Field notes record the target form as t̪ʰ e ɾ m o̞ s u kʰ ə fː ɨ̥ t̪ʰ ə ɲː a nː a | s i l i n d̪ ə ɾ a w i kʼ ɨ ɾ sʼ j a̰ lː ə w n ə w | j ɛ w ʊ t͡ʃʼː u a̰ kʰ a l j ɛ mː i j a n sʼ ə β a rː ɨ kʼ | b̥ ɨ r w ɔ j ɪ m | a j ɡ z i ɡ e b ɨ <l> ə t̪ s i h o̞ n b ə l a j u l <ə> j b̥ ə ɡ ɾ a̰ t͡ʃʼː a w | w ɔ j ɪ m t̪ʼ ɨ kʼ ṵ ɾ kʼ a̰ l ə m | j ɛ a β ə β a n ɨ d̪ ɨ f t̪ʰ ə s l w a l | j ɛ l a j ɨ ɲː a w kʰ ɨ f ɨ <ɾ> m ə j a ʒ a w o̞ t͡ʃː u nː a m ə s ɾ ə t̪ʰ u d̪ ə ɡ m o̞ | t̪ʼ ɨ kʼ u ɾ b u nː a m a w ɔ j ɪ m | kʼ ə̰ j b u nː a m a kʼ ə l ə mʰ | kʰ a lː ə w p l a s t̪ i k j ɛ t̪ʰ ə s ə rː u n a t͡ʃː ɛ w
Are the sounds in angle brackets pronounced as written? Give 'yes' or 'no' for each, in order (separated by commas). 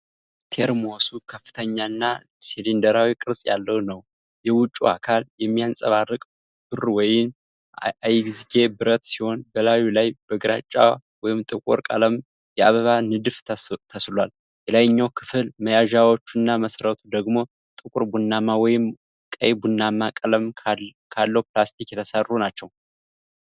no, no, no